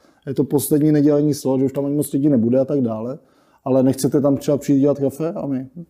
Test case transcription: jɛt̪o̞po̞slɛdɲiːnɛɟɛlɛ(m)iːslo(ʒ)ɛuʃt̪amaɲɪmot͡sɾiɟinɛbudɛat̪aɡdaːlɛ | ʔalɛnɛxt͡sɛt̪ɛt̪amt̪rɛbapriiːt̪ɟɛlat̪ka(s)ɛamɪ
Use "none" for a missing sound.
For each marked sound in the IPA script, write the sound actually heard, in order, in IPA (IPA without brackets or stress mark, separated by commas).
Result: ɲ, ʒ, f